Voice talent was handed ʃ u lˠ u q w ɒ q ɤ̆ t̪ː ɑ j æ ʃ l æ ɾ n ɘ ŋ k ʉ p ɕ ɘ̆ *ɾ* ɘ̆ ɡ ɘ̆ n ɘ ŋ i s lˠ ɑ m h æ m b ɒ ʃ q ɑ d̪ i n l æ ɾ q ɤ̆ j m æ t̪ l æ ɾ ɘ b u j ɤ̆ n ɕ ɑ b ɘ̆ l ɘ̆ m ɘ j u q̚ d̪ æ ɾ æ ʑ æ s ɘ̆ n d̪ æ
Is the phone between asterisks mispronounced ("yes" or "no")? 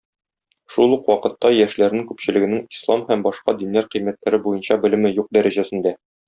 yes